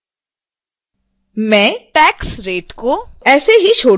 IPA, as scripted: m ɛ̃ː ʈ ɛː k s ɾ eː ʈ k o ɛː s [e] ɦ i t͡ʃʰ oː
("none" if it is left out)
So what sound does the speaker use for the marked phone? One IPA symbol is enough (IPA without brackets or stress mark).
e